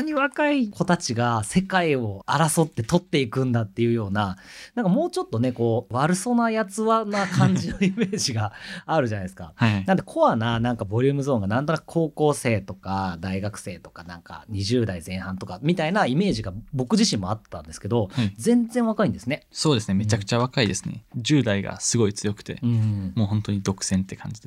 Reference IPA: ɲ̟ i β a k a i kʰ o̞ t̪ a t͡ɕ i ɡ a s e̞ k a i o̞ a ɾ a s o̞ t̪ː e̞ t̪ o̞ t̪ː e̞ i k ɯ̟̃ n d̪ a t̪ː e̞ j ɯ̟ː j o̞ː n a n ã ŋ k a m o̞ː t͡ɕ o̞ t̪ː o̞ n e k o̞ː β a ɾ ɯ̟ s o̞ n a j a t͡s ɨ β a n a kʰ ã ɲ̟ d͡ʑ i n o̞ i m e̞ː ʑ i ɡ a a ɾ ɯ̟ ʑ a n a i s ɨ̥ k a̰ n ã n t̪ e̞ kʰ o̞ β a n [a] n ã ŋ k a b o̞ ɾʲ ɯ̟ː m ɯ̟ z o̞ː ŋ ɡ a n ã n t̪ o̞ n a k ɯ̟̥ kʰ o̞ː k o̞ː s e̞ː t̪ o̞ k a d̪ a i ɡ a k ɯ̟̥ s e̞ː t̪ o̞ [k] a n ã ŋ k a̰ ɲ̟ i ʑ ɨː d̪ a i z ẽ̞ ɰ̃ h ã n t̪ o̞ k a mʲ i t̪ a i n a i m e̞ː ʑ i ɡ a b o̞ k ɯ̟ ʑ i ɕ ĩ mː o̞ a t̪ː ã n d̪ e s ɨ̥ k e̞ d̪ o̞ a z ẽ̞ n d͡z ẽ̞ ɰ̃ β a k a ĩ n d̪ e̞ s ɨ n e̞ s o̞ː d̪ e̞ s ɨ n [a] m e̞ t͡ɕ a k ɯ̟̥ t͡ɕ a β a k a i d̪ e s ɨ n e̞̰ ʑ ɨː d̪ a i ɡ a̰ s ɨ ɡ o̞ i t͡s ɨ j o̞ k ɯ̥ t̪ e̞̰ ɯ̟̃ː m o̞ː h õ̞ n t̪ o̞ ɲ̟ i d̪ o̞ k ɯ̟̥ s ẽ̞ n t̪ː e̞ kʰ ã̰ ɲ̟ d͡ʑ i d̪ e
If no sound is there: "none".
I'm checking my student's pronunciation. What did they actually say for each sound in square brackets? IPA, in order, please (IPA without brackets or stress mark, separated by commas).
a, k, e